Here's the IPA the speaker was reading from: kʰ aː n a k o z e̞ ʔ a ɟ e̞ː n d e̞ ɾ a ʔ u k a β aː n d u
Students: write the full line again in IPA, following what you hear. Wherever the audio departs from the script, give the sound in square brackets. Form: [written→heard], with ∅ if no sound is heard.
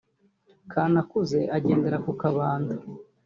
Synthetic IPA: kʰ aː n a k [o→u] z e̞ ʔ a ɟ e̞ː n d e̞ ɾ a [ʔ→k] u k a β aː n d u